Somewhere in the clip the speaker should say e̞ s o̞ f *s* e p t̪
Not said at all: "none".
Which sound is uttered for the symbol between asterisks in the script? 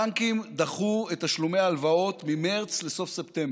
s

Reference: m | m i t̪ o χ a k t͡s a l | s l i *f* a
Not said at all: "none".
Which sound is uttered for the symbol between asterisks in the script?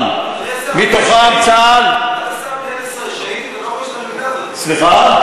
χ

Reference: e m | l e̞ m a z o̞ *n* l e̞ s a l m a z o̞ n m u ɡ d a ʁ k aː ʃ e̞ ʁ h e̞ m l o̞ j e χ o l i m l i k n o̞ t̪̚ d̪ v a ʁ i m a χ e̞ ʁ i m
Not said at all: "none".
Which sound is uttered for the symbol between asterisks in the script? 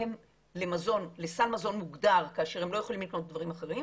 n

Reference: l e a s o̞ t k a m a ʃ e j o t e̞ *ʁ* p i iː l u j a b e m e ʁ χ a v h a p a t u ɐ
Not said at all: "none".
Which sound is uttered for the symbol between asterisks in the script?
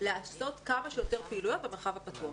ʁ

